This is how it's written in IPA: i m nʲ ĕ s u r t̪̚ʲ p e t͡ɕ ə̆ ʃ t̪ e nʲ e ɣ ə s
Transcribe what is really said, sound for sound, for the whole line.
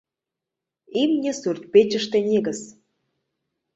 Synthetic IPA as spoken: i m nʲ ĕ s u r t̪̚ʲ p e t͡ɕ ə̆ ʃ t̪ e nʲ e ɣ ə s